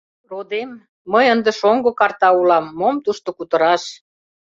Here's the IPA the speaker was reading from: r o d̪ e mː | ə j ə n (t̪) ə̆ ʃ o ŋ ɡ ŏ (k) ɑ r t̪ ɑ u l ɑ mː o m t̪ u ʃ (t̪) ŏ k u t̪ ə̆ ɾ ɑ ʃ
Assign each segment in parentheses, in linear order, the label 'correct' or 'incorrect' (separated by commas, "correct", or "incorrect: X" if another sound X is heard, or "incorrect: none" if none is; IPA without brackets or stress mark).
incorrect: d̪, correct, correct